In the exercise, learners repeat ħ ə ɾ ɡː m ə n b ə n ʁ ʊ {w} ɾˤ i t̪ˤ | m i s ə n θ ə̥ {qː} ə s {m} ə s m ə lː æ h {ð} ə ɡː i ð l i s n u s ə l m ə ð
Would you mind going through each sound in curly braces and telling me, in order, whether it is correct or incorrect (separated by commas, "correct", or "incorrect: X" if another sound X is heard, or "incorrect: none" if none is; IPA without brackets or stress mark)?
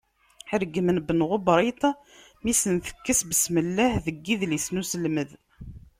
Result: incorrect: b, incorrect: kː, incorrect: b, correct